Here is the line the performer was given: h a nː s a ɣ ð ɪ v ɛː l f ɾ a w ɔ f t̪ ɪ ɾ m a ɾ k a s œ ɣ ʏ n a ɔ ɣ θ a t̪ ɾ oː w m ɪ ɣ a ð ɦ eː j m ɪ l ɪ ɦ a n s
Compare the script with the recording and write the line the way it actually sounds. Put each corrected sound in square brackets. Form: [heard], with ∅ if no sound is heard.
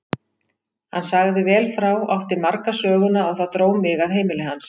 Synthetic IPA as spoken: h a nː s a ɣ ð ɪ v ɛː l f ɾ a w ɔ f t̪ ɪ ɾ m a ɾ k a s [œː] ɣ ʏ n a ɔ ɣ θ a t̪ ɾ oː w m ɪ ɣ a ð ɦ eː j m ɪ l ɪ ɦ a n s